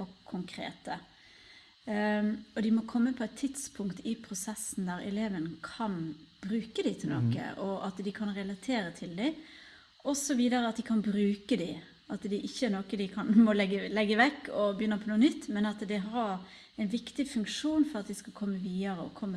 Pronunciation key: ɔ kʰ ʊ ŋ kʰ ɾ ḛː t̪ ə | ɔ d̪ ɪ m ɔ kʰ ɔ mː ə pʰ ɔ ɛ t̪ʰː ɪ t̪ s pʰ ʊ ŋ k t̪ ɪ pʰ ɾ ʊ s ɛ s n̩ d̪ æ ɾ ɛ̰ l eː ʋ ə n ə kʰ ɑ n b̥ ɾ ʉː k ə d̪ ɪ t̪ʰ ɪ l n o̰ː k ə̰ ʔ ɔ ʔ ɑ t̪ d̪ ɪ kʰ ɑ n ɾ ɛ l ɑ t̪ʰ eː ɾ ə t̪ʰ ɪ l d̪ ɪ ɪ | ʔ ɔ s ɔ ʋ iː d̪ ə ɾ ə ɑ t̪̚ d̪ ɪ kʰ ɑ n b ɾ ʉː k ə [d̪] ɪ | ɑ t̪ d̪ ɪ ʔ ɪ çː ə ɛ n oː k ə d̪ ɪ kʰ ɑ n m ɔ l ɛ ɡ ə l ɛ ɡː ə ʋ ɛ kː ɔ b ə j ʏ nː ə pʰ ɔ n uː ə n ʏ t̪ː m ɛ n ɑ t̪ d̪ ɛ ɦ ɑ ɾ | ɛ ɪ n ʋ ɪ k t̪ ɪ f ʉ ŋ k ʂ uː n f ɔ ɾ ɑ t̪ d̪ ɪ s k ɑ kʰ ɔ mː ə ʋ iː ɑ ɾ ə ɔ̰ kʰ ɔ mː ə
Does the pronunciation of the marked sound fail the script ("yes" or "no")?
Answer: no